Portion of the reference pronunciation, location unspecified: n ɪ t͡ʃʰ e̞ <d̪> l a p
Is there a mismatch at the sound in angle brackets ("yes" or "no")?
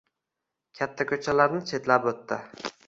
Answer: yes